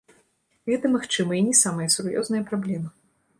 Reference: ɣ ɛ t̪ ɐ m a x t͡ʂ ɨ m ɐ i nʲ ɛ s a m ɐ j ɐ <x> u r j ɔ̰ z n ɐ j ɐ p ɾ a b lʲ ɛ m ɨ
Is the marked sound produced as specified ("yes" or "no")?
no